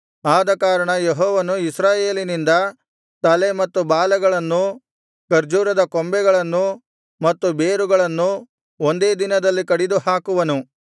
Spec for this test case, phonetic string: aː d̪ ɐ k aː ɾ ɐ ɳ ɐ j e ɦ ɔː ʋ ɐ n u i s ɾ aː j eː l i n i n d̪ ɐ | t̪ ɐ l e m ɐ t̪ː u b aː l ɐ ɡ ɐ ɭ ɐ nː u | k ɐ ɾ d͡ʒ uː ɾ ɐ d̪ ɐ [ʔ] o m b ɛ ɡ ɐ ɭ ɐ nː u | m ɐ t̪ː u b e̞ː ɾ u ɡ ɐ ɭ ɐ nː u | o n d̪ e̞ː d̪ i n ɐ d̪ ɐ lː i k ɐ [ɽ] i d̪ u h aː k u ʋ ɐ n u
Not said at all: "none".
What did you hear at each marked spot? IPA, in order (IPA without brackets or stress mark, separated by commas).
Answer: k, ɽ